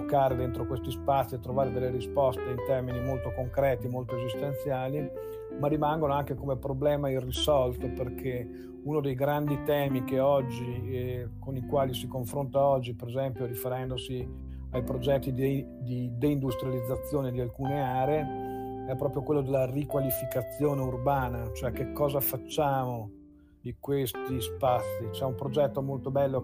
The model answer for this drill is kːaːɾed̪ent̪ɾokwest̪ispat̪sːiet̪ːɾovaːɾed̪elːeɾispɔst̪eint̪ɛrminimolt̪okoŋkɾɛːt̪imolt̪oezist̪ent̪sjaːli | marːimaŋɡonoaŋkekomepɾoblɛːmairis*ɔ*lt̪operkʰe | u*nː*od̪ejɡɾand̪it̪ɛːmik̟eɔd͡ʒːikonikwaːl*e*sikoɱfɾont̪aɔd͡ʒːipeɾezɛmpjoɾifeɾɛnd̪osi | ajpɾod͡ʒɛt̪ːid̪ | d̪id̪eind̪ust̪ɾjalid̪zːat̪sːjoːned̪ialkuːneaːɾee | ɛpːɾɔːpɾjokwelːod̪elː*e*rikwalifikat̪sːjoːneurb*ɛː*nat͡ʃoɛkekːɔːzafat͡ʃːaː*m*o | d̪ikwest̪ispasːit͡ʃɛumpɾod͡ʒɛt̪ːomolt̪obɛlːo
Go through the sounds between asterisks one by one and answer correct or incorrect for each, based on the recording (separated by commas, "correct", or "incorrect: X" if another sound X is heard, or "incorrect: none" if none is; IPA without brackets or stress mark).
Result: correct, incorrect: n, incorrect: i, incorrect: a, incorrect: aː, correct